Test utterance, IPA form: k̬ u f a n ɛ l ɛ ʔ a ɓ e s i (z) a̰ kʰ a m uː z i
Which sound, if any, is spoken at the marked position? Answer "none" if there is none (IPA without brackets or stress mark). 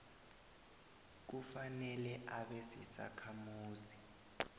s